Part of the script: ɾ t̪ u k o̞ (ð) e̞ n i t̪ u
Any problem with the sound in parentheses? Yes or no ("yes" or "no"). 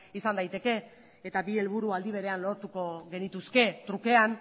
yes